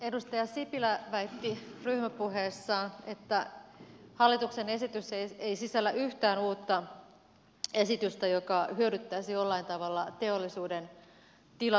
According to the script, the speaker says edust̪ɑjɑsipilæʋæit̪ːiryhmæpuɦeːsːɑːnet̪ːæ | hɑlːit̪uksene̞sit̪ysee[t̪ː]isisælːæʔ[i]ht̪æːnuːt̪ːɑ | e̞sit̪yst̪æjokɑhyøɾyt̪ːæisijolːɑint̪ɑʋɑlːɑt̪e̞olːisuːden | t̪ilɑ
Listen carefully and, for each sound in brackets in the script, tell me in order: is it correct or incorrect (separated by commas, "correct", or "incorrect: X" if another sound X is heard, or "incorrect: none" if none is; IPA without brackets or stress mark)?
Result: incorrect: none, incorrect: y